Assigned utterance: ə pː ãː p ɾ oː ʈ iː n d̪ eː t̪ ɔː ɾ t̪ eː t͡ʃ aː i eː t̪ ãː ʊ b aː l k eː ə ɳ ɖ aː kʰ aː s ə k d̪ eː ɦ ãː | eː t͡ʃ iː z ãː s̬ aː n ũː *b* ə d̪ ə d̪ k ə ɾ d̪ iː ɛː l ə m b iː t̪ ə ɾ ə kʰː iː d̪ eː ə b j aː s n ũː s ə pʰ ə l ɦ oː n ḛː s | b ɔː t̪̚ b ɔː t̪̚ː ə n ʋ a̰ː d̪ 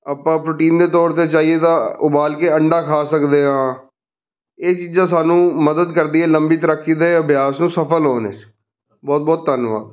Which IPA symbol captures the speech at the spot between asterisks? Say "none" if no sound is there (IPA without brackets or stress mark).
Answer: m